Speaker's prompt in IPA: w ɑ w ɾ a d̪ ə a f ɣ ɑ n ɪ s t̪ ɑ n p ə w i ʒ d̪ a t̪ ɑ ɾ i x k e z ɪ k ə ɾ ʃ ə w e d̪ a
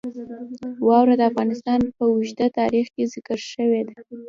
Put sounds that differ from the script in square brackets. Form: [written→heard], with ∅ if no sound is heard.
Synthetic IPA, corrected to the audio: w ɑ w ɾ a d̪ ə a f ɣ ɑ n ɪ s t̪ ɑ n p ə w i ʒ d̪ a t̪ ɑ ɾ i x k e z ɪ k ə ɾ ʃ ə w e d̪ a